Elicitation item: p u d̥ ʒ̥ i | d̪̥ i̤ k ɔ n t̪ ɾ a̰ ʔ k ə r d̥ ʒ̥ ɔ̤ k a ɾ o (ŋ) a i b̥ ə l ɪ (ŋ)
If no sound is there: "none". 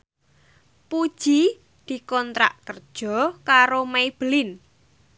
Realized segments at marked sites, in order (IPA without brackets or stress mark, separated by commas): m, n